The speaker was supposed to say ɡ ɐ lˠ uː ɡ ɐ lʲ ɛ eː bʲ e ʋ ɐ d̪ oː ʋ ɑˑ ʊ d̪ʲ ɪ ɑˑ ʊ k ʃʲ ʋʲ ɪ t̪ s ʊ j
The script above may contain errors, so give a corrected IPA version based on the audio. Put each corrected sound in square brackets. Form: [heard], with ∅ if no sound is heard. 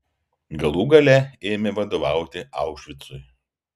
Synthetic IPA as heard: ɡ ɐ lˠ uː ɡ ɐ lʲ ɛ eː [mʲ] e ʋ ɐ d̪ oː ʋ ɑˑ ʊ [t̪ʲ] ɪ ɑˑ ʊ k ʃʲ ʋʲ ɪ t̪ s ʊ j